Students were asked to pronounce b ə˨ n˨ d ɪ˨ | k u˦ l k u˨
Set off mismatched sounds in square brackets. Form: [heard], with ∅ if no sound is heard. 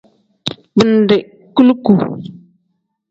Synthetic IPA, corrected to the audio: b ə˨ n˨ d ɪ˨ | k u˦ l k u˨